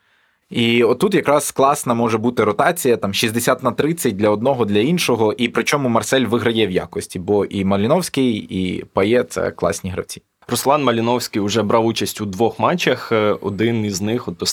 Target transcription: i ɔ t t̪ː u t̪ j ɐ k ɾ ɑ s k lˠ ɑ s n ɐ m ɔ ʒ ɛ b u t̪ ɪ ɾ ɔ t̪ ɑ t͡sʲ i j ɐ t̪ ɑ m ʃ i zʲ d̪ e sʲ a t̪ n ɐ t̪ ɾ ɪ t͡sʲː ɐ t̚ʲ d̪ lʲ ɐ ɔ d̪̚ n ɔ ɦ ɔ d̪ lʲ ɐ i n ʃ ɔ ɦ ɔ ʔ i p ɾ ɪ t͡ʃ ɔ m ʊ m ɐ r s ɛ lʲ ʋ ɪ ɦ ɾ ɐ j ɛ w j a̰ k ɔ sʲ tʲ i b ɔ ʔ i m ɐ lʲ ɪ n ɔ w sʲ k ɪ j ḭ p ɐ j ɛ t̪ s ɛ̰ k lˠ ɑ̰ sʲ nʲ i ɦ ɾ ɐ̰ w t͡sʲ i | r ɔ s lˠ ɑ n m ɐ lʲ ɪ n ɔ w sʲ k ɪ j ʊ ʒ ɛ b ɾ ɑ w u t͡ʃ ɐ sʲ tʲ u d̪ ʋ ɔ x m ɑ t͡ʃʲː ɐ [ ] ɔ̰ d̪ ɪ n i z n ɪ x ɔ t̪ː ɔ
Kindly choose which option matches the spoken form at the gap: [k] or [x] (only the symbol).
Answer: x